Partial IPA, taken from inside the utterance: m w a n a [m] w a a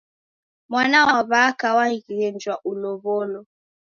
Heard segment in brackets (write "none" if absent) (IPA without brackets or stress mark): none